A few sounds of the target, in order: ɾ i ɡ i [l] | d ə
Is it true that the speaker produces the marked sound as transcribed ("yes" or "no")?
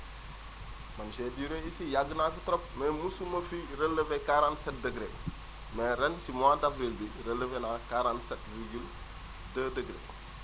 yes